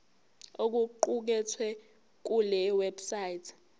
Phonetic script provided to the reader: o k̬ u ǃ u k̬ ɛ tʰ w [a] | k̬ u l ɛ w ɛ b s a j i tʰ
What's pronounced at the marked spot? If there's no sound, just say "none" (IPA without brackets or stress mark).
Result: ɛ